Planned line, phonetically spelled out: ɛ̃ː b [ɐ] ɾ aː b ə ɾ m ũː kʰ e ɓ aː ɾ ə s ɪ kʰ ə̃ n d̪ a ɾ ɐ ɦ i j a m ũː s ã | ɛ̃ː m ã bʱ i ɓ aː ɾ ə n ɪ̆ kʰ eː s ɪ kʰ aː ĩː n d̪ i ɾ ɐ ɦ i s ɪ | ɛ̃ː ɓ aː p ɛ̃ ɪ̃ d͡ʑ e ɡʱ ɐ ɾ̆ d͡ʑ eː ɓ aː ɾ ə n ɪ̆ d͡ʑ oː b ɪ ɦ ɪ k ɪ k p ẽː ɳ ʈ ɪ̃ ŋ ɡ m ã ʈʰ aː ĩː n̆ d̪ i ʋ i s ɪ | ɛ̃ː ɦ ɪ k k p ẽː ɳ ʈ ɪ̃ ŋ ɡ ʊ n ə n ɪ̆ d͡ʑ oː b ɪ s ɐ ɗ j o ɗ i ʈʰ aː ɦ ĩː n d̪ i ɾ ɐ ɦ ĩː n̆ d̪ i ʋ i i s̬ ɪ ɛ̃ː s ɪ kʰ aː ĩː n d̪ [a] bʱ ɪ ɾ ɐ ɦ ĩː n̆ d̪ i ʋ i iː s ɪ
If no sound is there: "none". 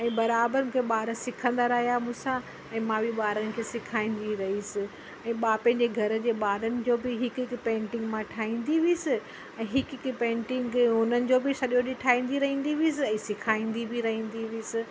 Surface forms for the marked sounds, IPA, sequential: ɐ, i

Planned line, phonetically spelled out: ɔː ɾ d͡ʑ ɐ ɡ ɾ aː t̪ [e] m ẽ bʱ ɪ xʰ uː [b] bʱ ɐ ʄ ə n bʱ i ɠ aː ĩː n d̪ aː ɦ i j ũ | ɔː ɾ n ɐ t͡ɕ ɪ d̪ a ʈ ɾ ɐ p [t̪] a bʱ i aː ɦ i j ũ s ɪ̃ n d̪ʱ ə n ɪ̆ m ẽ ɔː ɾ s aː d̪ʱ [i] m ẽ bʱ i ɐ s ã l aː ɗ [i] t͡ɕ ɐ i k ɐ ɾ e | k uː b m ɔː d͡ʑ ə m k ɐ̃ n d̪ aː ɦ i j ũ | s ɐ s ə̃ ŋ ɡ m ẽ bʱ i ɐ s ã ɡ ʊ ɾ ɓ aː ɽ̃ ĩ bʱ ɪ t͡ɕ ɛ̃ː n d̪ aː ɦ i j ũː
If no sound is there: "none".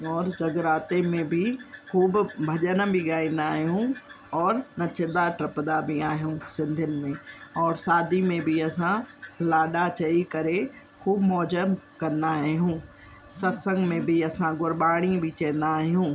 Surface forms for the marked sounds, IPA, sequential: e, b, d̪, i, a

